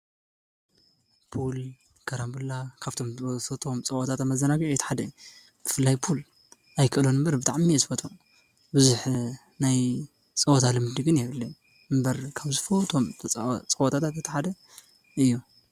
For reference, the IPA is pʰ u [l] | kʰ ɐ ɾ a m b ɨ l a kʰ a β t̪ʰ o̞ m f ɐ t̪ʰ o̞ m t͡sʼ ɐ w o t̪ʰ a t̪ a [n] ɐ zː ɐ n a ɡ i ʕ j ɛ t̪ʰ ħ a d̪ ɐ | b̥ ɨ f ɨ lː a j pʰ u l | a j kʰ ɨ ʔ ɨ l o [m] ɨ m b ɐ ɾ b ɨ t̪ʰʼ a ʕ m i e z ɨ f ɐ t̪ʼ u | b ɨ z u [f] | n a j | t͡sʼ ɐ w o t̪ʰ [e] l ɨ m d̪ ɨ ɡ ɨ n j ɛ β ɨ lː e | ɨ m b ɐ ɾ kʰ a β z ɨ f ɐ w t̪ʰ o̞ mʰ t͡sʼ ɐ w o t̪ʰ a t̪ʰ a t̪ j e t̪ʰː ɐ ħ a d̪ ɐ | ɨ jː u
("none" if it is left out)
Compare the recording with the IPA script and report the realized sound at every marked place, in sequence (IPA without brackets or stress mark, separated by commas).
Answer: l, m, n, ħ, a